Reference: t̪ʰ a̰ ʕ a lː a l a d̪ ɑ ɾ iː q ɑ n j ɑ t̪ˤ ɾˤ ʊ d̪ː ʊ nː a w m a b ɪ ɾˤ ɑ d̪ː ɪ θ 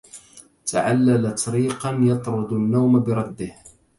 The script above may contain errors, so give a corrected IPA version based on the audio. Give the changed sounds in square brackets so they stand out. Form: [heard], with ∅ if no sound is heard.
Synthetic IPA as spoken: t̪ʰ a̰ ʕ a lː a l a [t̪] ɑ ɾ iː q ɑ n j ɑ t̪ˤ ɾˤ ʊ [d̪] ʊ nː a w m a b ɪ ɾˤ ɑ d̪ː ɪ [h]